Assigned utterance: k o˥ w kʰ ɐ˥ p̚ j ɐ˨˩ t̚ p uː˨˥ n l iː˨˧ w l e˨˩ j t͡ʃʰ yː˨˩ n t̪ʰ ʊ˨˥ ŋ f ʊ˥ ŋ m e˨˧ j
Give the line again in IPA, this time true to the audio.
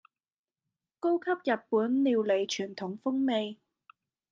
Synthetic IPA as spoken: k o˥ w kʰ ɐ˥ p̚ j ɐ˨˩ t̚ p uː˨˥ n l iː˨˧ w l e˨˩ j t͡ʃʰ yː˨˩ n t̪ʰ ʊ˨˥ ŋ f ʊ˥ ŋ m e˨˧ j

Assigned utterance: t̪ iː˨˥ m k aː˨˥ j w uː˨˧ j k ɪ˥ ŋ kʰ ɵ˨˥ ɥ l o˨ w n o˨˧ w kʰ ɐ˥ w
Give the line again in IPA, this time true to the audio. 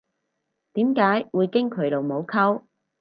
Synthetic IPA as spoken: t̪ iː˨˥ m k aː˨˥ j w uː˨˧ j k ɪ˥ ŋ kʰ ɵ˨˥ ɥ l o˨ w m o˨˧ w kʰ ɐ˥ w

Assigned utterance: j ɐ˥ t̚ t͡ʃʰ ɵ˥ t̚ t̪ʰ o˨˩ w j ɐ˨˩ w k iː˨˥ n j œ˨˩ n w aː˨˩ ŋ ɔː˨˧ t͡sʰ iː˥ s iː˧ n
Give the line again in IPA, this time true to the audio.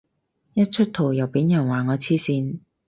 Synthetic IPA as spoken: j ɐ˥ t̚ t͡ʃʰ ɵ˥ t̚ t̪ʰ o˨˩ w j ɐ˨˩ w p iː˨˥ n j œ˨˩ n w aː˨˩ ŋ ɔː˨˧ t͡sʰ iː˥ s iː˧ n

